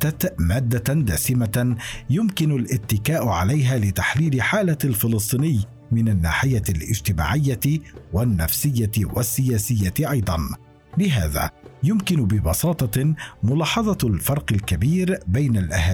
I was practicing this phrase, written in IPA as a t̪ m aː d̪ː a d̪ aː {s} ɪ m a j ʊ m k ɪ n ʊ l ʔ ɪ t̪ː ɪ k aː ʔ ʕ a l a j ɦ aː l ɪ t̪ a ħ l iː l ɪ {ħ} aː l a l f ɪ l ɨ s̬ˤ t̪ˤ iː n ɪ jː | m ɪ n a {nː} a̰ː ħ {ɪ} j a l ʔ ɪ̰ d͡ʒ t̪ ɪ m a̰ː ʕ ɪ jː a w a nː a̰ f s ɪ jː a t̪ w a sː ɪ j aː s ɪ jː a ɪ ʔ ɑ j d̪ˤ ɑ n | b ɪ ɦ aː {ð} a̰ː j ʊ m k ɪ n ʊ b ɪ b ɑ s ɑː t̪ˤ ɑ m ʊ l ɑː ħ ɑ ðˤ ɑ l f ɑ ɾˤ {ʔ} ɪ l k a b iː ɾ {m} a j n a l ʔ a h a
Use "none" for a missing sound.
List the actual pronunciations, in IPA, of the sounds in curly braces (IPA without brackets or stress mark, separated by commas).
s, ħ, nː, ɪ, ð, q, b